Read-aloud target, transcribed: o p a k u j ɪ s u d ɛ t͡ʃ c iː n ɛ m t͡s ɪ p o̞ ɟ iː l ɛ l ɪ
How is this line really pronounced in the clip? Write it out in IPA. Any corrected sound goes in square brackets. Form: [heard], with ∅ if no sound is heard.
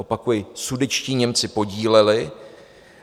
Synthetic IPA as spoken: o p a k u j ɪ s u d ɛ t͡ʃ c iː [ɲ] ɛ m t͡s ɪ p o̞ ɟ iː l ɛ l ɪ